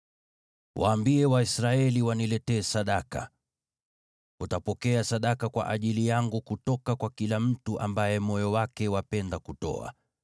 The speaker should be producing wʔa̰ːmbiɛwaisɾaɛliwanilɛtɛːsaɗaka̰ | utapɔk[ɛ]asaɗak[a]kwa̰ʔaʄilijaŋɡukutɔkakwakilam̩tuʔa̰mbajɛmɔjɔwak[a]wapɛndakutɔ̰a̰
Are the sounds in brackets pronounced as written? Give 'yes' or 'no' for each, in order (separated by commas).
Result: yes, yes, no